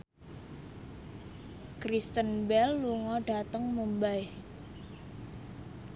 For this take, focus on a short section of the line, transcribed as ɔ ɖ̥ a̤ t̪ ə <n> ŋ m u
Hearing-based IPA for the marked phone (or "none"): none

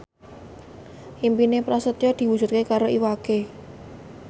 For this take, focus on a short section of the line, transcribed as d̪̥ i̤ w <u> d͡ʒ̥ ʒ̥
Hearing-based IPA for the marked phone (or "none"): u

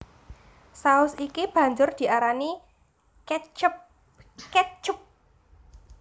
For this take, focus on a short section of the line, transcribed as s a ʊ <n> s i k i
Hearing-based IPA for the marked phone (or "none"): none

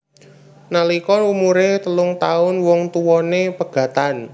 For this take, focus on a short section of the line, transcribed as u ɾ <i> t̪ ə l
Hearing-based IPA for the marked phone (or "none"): e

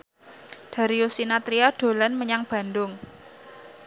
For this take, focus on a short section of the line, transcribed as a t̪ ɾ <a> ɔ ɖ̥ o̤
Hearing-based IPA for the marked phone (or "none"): i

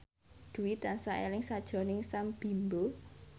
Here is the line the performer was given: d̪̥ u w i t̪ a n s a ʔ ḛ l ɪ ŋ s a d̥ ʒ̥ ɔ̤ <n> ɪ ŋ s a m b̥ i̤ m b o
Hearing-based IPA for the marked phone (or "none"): n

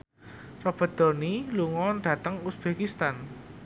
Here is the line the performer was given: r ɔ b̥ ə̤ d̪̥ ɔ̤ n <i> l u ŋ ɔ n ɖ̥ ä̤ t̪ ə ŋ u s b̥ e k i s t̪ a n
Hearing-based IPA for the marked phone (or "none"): i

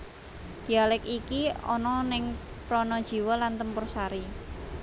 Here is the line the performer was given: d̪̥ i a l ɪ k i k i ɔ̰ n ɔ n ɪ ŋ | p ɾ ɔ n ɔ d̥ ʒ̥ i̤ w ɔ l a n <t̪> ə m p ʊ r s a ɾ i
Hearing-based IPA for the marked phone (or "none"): t̪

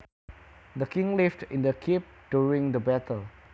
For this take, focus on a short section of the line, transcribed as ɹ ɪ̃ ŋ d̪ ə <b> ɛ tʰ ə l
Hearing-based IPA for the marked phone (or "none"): b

